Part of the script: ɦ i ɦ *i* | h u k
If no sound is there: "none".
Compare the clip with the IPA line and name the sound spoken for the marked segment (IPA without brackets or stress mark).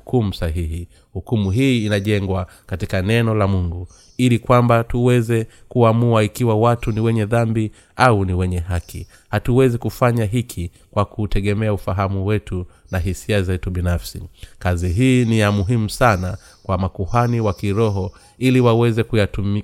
i